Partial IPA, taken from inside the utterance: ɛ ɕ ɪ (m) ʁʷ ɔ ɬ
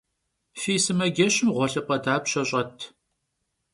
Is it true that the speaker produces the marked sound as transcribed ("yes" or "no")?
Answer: yes